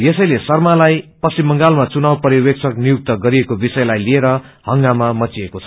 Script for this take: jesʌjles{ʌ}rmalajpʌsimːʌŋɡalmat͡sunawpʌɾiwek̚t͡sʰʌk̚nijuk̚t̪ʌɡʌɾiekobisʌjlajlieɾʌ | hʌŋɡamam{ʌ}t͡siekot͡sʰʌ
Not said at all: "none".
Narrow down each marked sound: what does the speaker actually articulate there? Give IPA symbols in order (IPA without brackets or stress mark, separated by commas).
ʌ, ʌ